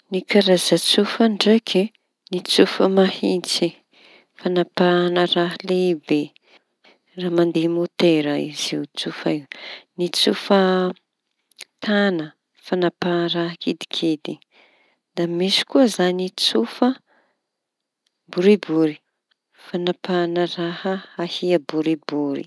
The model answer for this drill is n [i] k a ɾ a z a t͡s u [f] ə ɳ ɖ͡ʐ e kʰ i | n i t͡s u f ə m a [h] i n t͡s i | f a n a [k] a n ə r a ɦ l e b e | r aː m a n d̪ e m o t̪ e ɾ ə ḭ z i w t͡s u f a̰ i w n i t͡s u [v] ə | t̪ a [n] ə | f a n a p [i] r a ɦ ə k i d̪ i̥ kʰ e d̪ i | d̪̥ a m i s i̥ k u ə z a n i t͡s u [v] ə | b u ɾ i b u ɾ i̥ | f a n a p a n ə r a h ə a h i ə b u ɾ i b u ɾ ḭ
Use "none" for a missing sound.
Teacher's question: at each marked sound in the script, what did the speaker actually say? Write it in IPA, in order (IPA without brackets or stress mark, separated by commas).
i, f, h, p, f, n, a, f